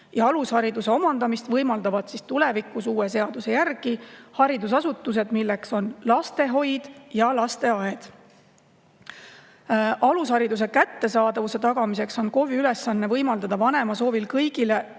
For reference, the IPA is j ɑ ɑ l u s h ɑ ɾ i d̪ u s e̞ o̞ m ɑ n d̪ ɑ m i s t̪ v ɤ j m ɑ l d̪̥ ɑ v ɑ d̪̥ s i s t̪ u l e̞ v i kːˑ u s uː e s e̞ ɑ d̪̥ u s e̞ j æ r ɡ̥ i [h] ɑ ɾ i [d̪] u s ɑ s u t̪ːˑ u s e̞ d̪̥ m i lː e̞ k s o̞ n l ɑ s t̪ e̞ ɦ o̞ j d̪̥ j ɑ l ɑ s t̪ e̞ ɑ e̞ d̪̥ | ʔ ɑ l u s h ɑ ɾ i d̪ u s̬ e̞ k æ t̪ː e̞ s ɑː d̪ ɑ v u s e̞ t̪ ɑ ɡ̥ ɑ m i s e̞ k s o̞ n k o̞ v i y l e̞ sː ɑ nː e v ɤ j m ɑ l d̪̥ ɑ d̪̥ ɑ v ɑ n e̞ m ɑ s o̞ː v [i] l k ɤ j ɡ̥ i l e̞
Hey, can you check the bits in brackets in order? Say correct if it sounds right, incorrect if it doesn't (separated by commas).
correct, correct, correct